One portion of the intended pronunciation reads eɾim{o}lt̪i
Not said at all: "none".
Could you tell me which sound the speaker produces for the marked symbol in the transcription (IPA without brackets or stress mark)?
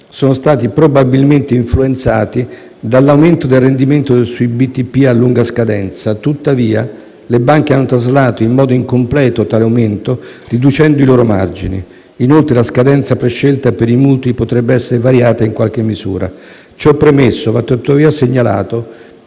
u